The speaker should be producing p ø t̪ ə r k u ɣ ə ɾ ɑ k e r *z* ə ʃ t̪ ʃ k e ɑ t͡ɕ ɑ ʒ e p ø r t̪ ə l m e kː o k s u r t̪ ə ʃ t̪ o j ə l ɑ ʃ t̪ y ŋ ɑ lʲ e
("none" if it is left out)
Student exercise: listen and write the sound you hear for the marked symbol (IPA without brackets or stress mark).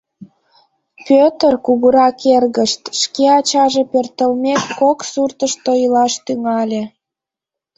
ɣ